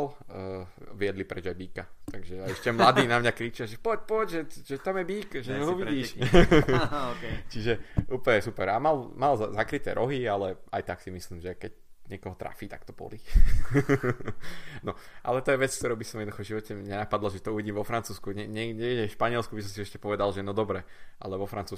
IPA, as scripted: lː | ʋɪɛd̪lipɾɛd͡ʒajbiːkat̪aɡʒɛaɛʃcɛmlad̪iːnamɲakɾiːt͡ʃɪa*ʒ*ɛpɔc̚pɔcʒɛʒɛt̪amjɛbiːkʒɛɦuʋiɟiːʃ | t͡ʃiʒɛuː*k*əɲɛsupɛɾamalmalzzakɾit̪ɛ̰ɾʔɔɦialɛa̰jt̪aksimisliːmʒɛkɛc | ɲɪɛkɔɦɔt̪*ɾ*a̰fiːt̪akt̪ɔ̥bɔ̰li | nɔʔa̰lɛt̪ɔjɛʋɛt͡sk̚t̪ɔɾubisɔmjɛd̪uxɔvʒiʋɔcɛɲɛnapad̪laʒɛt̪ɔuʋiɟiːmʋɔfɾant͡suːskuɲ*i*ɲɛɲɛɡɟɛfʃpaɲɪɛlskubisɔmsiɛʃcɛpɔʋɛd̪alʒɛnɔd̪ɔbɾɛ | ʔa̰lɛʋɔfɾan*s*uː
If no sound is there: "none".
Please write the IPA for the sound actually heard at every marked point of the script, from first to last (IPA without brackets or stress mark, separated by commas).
ʒ, p, ɾ, ɛ, t͡s